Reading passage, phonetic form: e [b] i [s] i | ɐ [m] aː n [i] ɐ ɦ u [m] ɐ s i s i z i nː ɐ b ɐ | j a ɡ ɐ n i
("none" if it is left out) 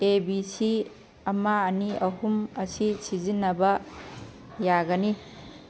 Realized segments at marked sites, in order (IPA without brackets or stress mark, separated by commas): b, s, m, i, m